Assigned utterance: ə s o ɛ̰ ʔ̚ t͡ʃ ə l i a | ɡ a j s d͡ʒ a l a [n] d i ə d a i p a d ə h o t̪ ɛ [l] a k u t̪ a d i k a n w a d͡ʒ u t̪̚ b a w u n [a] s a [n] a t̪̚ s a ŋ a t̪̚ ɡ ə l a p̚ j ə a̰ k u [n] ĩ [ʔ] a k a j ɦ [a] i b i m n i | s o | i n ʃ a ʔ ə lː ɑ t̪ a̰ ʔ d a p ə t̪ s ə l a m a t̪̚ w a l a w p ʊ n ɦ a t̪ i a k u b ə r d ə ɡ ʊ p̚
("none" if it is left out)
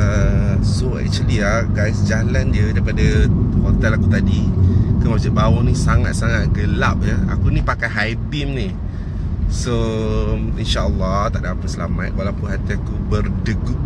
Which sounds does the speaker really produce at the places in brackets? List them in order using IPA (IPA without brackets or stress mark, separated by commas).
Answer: n, l, i, ŋ, n, p, a